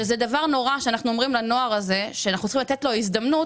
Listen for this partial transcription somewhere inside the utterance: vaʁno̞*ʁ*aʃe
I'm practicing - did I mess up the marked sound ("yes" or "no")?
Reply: no